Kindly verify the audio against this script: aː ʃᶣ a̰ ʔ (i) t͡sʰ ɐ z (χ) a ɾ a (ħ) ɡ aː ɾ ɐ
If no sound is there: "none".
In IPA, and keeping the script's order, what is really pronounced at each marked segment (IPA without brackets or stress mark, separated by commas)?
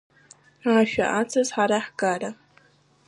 a, ħ, ħ